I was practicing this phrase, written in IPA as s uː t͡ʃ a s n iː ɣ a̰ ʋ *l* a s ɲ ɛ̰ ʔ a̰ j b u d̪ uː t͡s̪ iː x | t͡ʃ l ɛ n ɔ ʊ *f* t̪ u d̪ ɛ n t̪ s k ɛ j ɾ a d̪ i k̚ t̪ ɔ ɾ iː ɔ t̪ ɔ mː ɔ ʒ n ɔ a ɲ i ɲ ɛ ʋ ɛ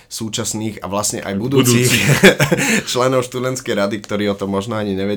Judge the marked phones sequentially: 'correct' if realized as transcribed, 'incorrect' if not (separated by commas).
correct, incorrect